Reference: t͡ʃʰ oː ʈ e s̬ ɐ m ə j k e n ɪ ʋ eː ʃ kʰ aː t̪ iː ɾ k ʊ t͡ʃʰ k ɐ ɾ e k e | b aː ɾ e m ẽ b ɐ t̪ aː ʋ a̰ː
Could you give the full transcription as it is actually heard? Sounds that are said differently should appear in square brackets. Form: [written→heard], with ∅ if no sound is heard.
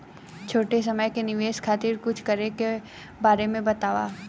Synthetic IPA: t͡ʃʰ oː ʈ e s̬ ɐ m ə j k e n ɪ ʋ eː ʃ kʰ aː t̪ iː ɾ k ʊ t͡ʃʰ k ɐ ɾ e k e | b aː ɾ e m ẽ b ɐ t̪ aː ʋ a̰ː